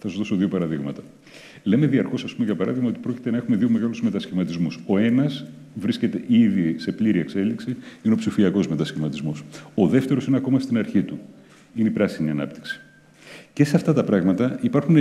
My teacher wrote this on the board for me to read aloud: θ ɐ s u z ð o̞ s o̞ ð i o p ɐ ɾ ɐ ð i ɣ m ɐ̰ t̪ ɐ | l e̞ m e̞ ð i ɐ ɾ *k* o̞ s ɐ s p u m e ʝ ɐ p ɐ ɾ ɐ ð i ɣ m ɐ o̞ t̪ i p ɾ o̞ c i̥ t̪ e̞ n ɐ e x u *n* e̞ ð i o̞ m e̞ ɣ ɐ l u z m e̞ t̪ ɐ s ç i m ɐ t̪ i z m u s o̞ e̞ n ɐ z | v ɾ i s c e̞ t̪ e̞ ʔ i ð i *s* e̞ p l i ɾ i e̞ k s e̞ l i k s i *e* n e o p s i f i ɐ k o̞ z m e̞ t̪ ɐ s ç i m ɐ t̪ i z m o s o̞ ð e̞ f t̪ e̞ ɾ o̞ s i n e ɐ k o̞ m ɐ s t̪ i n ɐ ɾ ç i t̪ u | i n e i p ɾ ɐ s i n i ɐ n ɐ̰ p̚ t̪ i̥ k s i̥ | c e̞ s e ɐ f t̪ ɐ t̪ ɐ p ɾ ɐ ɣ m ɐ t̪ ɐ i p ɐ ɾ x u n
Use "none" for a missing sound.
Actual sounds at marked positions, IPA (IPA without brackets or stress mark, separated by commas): x, m, s, i